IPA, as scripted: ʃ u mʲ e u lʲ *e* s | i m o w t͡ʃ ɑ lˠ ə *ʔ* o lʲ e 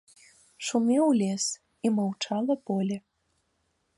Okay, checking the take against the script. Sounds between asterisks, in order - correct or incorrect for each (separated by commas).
correct, incorrect